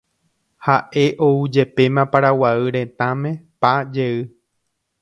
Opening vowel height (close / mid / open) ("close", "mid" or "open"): open